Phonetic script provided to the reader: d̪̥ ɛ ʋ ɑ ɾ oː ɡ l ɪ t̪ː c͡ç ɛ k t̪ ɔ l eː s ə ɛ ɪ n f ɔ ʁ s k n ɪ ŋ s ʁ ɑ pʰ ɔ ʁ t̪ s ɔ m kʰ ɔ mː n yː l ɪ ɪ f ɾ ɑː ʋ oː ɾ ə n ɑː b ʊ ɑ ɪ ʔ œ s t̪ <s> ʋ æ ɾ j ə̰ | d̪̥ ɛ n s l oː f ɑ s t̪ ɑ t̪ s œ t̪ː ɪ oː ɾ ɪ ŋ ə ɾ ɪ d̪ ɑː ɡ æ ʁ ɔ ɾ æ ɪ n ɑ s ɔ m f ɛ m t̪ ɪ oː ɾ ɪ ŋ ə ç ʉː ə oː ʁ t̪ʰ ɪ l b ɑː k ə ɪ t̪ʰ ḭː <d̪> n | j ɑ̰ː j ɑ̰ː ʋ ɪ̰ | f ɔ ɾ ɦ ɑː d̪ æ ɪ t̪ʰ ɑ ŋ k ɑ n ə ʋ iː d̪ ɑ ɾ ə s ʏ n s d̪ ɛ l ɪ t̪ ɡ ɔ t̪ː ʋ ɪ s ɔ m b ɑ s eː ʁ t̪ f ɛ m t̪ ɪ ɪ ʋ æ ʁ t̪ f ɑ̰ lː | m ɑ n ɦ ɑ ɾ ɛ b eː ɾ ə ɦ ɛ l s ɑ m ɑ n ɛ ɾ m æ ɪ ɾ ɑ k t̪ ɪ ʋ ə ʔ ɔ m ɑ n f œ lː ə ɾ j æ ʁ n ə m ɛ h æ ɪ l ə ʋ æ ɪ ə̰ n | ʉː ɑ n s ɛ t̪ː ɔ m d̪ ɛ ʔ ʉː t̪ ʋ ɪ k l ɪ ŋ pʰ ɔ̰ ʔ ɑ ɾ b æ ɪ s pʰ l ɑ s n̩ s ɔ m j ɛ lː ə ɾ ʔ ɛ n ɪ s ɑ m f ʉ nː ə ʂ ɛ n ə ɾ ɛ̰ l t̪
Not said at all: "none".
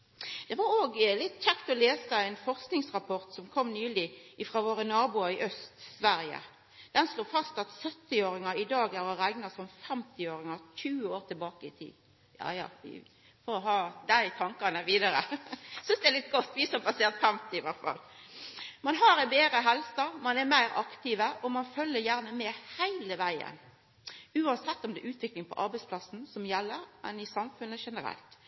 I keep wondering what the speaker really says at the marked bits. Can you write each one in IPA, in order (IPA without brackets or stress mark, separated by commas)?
s, d̪